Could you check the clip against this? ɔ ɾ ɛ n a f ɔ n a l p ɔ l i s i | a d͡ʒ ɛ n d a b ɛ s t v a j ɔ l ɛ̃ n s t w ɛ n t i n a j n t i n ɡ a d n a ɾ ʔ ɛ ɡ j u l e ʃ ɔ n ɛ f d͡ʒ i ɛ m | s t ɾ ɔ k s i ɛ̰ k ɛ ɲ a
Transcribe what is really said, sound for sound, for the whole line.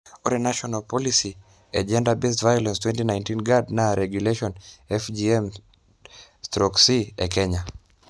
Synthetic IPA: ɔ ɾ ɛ n a ʃ ɔ n a l p ɔ l i s i | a d͡ʒ ɛ n d a b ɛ s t v a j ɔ l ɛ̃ n s t w ɛ n t i n a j n t i n ɡ a d n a ɾ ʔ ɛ ɡ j u l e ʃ ɔ n ɛ f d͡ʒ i ɛ m | s t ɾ ɔ k s i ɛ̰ k ɛ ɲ a